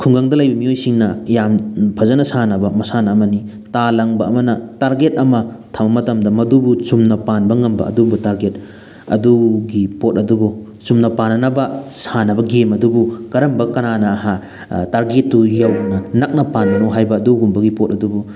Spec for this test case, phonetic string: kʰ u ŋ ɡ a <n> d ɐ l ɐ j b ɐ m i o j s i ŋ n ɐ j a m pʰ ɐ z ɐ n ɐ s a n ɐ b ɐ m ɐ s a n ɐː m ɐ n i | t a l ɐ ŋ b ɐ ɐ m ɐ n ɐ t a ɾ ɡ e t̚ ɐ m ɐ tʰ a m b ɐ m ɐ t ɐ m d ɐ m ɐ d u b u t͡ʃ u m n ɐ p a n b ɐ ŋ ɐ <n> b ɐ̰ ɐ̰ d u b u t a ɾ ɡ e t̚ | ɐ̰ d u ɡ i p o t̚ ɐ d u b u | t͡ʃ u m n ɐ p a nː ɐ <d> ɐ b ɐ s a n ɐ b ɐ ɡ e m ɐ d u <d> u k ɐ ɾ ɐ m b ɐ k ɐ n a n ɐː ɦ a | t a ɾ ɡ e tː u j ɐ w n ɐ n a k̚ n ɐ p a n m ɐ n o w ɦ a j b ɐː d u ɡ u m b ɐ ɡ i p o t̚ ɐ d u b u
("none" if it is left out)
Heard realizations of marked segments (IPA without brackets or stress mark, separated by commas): ŋ, m, n, b